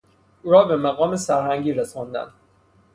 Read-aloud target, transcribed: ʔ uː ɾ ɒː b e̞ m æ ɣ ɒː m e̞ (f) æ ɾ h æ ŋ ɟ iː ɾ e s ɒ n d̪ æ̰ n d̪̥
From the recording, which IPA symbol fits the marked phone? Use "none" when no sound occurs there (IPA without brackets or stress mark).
s